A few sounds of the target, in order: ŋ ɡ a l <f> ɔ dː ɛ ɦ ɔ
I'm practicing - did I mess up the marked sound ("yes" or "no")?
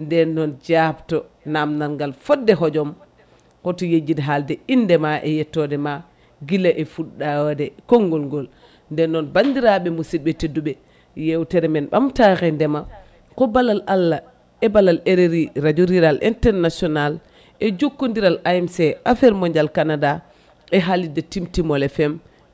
no